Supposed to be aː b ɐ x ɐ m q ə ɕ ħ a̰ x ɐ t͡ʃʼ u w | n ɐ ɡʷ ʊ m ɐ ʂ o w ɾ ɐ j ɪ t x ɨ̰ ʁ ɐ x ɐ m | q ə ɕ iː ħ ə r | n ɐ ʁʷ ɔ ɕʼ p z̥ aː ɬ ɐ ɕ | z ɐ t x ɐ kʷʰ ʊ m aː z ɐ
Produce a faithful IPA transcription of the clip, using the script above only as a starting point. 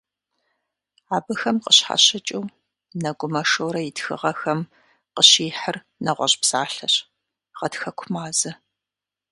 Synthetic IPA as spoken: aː b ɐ x ɐ m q ə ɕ ħ a̰ ɕ ɐ t͡ʃʼ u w | n ɐ ɡʷ ʊ m ɐ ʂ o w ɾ ɐ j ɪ t x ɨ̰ ʁ ɐ x ɐ m | q ə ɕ iː ħ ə r | n ɐ ʁʷ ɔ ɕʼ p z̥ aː ɬ ɐ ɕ | ʁ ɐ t x ɐ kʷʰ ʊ m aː z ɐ